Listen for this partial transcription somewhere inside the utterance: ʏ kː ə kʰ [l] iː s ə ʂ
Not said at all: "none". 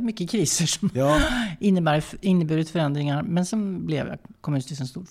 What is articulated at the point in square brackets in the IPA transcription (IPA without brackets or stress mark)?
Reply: ɾ